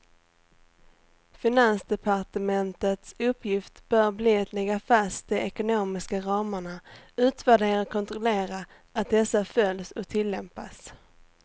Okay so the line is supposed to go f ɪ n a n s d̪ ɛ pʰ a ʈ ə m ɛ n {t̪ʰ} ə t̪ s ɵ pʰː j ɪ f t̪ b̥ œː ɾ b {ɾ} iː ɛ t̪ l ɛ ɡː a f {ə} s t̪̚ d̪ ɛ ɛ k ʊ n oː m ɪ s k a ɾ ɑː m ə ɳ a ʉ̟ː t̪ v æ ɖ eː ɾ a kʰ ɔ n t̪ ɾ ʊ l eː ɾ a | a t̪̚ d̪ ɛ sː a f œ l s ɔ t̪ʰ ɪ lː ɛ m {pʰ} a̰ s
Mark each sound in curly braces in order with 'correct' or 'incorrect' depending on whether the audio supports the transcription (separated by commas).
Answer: incorrect, incorrect, incorrect, incorrect